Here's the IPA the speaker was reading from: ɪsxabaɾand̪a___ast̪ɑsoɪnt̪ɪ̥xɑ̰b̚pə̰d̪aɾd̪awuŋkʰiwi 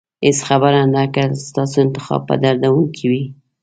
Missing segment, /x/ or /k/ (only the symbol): k